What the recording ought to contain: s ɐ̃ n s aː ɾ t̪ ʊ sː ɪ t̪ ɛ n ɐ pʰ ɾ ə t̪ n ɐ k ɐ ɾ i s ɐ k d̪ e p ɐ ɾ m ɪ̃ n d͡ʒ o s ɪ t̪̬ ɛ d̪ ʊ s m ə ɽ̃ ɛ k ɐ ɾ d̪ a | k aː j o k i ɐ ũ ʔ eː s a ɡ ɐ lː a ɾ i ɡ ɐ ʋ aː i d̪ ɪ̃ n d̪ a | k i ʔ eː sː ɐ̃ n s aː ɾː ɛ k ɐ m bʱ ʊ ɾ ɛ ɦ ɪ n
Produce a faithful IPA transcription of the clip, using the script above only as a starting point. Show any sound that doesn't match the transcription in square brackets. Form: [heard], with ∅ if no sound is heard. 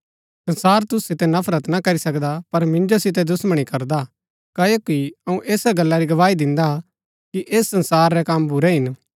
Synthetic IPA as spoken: s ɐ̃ n s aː ɾ t̪ ʊ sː ɪ t̪ ɛ n ɐ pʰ ɾ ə t̪ n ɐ k ɐ ɾ i s ɐ k d̪ [a] p ɐ ɾ m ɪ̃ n d͡ʒ o s ɪ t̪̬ ɛ d̪ ʊ s m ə ɽ̃ [i] k ɐ ɾ d̪ a | k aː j o k i ɐ ũ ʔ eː s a ɡ ɐ lː a ɾ i ɡ ɐ ʋ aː i d̪ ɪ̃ n d̪ a | k i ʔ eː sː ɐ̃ n s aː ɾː ɛ k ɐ m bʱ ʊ ɾ ɛ ɦ ɪ n